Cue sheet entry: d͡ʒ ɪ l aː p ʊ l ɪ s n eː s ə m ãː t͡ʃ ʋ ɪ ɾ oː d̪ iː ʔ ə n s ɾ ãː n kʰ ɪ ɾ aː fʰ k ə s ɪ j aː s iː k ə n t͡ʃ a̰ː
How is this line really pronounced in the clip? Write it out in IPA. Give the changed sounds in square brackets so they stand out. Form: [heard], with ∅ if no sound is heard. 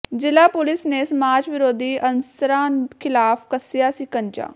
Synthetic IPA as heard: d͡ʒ ɪ l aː p ʊ l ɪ s n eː s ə m [aː] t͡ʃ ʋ ɪ ɾ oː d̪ iː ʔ ə n s ɾ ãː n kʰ ɪ [l] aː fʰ k ə s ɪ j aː s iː k ə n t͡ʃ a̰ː